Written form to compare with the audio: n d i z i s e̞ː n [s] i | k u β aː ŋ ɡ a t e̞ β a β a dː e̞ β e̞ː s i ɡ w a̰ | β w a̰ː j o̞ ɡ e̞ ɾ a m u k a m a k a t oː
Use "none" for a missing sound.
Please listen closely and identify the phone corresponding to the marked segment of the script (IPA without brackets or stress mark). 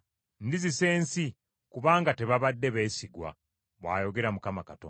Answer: s